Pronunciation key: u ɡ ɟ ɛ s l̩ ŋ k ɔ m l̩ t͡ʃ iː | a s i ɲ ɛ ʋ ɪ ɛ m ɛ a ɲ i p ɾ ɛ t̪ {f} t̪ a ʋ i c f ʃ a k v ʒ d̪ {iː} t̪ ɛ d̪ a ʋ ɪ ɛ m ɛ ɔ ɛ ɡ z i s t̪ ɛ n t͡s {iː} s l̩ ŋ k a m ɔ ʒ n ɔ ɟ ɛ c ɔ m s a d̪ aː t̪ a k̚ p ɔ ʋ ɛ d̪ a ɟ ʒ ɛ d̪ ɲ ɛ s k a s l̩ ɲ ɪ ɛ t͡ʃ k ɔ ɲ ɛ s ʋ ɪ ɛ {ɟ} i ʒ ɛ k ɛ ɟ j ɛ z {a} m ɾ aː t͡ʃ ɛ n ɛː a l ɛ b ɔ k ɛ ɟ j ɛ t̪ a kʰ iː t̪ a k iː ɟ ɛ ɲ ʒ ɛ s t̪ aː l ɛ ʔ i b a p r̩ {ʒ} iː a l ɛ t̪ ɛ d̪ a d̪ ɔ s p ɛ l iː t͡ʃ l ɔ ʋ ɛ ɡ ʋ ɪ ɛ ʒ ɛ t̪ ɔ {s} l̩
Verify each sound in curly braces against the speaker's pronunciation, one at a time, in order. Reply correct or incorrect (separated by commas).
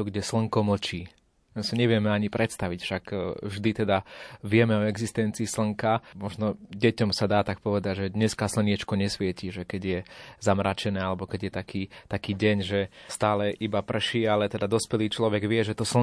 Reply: incorrect, incorrect, correct, incorrect, correct, incorrect, correct